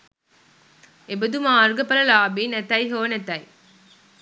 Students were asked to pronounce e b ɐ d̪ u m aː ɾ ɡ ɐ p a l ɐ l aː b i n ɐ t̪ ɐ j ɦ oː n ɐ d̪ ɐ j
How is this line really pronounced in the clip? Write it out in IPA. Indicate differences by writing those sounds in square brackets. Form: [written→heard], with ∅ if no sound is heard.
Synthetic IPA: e b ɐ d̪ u m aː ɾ ɡ ɐ p [a→ɐ] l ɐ l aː b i n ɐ t̪ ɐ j ɦ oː n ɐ [d̪→t̪] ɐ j